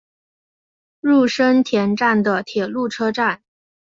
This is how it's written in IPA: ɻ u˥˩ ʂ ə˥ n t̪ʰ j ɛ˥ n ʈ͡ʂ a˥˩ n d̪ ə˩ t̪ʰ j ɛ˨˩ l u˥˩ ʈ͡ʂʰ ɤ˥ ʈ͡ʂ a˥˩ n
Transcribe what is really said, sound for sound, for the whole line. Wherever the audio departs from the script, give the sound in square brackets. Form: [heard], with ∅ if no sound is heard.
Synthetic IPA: ɻ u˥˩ ʂ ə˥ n t̪ʰ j [ɛ˧˥] n ʈ͡ʂ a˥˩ n d̪ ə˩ t̪ʰ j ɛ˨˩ l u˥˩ ʈ͡ʂʰ ɤ˥ ʈ͡ʂ a˥˩ n